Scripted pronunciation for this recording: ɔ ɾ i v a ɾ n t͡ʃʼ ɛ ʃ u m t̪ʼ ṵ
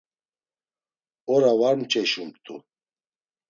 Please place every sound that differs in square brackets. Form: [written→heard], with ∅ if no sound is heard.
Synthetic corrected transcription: ɔ ɾ [i→a] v a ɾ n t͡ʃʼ ɛ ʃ u m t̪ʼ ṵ